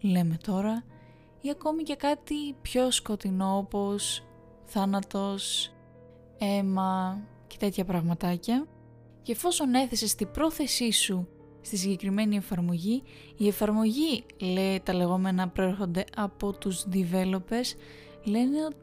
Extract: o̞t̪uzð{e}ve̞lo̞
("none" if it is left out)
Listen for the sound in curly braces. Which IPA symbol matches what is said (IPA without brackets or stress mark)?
i